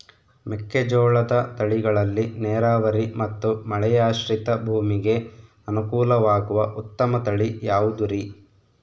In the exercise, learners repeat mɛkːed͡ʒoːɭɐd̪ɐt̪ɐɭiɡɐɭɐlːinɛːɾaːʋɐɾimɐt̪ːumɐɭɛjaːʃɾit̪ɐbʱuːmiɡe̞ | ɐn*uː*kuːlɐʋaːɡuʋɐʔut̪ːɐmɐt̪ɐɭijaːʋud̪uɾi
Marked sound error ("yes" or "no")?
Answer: yes